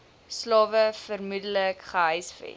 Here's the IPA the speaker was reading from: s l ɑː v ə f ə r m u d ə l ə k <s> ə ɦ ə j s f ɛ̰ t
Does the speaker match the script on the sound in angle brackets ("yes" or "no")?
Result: no